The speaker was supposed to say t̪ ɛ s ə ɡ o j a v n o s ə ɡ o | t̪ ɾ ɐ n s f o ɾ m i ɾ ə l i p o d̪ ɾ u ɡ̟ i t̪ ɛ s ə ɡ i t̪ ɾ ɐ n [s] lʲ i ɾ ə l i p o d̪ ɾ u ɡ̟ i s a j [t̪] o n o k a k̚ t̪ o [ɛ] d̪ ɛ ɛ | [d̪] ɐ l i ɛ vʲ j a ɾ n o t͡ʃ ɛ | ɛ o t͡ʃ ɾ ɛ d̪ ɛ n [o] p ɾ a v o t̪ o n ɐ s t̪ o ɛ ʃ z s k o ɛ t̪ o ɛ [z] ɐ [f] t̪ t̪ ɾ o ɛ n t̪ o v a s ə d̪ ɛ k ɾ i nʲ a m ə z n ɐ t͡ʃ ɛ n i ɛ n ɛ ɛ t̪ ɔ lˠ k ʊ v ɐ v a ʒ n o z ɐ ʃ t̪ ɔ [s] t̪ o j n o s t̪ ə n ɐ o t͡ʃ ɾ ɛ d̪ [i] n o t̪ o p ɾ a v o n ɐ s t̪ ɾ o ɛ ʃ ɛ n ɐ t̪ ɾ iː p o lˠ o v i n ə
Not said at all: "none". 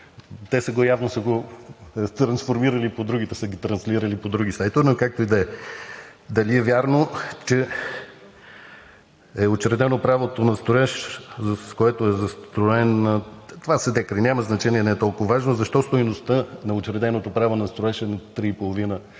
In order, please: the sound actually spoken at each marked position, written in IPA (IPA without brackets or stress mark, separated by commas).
s, t̪, i, d̪, o, z, s, s, ɛ